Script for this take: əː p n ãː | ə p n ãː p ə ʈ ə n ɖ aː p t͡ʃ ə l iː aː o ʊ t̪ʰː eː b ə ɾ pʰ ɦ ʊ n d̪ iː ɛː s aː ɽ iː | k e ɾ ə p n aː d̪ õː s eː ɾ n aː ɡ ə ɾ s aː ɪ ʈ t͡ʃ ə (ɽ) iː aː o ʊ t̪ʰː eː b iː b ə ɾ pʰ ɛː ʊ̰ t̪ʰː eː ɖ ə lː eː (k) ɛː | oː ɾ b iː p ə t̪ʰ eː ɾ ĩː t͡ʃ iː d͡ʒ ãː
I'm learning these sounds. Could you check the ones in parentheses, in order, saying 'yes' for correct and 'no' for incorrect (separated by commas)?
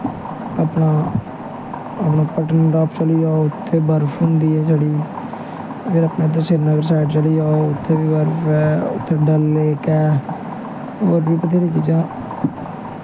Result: no, yes